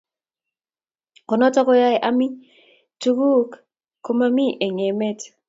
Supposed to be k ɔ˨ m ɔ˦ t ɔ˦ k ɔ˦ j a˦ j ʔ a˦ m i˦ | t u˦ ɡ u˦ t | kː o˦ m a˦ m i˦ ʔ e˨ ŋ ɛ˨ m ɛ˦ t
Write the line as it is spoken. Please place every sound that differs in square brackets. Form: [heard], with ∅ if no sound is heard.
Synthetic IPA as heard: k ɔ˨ [n] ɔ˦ t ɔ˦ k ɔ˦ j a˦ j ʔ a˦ m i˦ | t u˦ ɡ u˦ [k] | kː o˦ m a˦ m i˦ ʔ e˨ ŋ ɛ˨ m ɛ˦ t